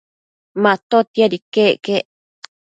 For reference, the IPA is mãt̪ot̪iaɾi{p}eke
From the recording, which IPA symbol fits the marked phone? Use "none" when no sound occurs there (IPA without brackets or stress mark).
k